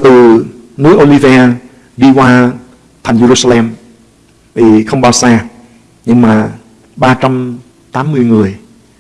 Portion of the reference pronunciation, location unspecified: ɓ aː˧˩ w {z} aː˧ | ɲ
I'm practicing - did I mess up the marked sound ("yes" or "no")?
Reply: yes